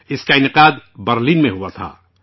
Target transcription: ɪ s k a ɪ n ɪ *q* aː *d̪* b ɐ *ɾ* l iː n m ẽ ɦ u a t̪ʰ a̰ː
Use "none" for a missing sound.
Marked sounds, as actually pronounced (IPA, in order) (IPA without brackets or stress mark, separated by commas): q, d̪, ɾ